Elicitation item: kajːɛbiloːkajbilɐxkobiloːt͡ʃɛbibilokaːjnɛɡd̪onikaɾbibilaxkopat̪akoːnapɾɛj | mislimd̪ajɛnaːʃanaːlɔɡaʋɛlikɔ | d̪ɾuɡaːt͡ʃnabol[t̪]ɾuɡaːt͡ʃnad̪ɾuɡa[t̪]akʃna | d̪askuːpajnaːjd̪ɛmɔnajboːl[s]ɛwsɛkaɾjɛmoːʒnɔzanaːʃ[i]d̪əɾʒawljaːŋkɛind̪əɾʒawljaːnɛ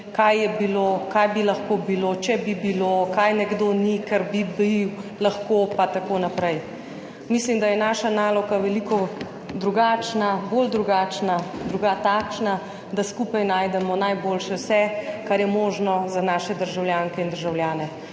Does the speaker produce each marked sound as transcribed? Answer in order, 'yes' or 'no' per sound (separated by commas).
no, yes, no, no